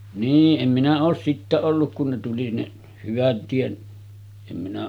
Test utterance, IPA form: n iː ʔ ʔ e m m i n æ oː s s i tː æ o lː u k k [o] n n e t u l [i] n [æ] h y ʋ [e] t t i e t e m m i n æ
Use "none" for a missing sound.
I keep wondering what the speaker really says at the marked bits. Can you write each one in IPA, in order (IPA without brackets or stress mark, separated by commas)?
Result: u, i, e, æ